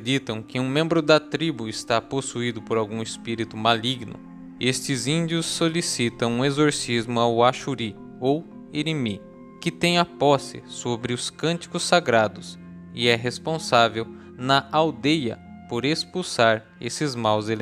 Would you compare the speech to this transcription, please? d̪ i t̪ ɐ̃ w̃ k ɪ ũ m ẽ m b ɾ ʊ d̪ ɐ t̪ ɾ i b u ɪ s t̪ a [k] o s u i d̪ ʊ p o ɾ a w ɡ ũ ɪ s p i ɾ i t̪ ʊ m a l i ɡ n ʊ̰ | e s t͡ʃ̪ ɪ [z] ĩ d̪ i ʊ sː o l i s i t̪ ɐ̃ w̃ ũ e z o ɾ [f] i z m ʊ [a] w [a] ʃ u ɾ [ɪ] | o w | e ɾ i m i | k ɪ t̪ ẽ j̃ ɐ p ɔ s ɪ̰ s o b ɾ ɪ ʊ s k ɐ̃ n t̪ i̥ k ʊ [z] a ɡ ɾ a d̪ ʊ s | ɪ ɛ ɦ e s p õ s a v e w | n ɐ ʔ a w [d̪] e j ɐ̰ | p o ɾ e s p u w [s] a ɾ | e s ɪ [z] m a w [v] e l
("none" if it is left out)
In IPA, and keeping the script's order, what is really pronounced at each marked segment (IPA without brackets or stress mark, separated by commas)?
p, z, s, a, a, i, s, d̪, s, z, z